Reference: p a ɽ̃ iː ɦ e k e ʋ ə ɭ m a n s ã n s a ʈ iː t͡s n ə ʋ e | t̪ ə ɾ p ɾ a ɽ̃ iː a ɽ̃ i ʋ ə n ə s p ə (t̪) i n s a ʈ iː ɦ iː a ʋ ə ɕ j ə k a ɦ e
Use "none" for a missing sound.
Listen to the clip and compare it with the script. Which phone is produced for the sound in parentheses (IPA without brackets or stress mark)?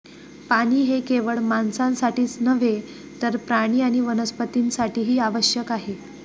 t̪